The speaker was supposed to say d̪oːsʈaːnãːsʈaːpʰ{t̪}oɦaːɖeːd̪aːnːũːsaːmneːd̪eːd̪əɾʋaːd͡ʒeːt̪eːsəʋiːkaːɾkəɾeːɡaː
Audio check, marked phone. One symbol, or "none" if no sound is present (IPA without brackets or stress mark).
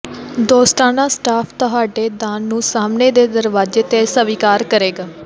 t̪